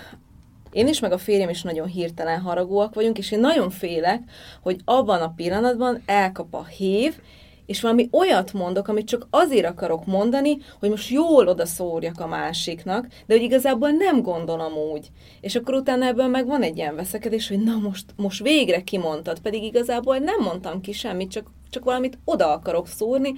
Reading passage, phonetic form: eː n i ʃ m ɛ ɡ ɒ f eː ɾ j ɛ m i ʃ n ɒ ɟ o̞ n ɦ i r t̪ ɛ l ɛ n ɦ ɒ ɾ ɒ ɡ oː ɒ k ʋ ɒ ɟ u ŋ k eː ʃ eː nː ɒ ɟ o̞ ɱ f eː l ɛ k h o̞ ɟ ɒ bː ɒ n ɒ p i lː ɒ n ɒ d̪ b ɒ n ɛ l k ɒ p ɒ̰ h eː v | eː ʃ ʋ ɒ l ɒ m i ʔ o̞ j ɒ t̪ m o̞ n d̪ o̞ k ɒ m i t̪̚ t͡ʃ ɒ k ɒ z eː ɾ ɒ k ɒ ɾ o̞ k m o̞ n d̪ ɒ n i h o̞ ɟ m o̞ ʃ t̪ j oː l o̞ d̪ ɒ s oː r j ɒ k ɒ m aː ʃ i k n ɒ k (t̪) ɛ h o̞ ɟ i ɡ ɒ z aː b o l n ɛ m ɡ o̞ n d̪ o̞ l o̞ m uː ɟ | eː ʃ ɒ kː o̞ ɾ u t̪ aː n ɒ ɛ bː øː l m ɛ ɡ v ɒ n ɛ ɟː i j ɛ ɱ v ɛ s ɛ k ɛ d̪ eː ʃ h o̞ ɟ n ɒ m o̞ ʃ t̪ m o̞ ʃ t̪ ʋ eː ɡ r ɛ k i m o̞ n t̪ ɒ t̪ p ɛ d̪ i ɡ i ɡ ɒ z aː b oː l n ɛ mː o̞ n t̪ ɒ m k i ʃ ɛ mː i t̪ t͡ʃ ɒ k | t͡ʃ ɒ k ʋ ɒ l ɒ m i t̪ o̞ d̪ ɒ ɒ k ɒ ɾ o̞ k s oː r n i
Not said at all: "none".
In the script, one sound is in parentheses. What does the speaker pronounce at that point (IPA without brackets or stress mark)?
d̪